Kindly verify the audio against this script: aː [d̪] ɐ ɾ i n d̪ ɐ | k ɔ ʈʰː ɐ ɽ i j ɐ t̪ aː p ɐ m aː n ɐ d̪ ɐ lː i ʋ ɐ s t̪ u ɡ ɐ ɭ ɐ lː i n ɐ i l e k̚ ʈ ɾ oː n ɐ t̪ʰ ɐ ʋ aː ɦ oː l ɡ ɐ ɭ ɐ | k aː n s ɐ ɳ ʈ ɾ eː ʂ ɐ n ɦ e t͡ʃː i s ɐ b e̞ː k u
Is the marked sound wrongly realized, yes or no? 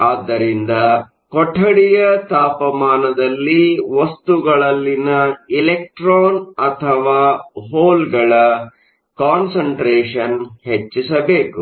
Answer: yes